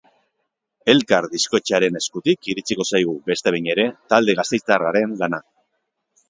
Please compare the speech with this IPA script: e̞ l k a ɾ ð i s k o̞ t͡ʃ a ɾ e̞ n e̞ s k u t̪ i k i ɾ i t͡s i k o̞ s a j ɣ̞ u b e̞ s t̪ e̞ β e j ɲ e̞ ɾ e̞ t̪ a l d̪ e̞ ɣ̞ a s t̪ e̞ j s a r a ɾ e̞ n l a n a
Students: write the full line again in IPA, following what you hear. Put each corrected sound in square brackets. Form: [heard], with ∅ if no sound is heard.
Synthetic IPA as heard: e̞ l k a ɾ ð i s k o̞ t͡ʃ a ɾ e̞ n e̞ s k u t̪ i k i ɾ i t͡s i k o̞ s a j ɣ̞ u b e̞ s t̪ e̞ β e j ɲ e̞ ɾ e̞ t̪ a l d̪ e̞ ɣ̞ a s t̪ e̞ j [t͡s] a r a ɾ e̞ n l a n a